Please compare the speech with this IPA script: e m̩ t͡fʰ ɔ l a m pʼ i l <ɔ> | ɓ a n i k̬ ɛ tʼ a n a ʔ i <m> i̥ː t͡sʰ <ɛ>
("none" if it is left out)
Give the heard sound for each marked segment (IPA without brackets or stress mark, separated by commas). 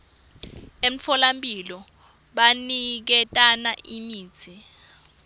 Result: ɔ, m, i